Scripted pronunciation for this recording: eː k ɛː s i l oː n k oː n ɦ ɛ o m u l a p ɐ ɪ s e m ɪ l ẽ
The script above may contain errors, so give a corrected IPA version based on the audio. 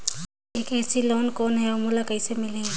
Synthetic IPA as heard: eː k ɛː s i l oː n k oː n ɦ ɛ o m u l a k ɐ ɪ s e m ɪ l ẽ

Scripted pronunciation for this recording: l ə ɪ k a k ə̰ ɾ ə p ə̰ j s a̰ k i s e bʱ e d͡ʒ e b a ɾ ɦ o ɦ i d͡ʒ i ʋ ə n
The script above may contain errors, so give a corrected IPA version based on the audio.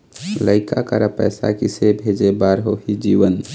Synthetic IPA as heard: l ə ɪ k a k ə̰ ɾ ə p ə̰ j s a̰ k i s e bʱ e d͡ʒ e b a ɾ ɦ o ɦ i d͡ʒ i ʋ ə n

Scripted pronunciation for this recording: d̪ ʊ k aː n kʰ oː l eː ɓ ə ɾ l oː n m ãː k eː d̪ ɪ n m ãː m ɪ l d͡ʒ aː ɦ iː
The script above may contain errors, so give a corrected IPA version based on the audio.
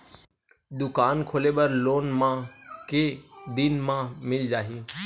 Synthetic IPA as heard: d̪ ʊ k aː n kʰ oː l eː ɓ ə ɾ l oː n m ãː k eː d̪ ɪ n m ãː m ɪ l d͡ʒ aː ɦ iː

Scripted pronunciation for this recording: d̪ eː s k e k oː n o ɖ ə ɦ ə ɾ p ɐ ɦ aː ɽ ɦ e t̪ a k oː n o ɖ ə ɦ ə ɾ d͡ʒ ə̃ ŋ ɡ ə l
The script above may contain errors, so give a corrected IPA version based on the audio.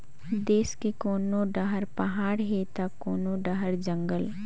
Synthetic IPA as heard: d̪ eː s k e k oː n o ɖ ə ɦ ə ɾ p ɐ ɦ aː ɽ ɦ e t̪ a k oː n o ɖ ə ɦ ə ɾ d͡ʒ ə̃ ŋ ɡ ə l

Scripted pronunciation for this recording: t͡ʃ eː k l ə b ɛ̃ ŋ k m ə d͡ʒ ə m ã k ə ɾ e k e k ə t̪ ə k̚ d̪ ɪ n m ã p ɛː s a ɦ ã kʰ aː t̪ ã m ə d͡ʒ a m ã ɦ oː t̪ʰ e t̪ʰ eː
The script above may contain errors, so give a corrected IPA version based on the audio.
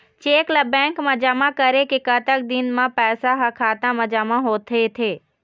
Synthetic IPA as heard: t͡ʃ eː k l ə b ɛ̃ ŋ k m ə d͡ʒ a m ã k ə ɾ e k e k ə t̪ ə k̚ d̪ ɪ n m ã p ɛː s a ɦ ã kʰ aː t̪ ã m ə d͡ʒ a m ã ɦ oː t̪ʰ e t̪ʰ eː

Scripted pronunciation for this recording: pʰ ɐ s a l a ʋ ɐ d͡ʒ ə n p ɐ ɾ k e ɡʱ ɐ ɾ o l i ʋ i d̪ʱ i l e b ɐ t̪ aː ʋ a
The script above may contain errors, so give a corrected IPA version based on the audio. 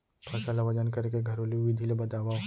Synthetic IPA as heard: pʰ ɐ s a l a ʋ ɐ d͡ʒ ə n k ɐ ɾ k e ɡʱ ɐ ɾ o l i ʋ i d̪ʱ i l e b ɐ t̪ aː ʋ a

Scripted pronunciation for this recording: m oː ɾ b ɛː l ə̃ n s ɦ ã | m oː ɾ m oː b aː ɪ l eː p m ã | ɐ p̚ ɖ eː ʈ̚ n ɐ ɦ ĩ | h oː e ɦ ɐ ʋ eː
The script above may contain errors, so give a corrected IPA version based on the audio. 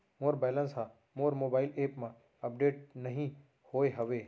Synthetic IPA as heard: m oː ɾ b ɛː l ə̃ n s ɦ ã | m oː ɾ m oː b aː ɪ l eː p m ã | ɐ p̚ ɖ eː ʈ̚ n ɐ ɦ ĩ | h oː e ɦ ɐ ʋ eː

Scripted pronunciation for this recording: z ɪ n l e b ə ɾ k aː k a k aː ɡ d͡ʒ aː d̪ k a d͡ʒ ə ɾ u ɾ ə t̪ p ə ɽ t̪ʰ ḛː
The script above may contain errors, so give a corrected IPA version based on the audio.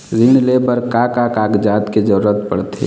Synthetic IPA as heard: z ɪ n l e b ə ɾ k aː k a k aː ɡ d͡ʒ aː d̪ k e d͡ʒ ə ɾ u ɾ ə t̪ p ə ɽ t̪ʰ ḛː

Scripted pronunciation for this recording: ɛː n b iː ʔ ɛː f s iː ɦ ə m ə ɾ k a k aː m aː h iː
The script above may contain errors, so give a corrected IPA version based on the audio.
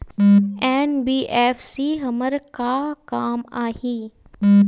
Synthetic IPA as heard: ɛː n b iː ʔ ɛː f s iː ɦ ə m ə ɾ k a k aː m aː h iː

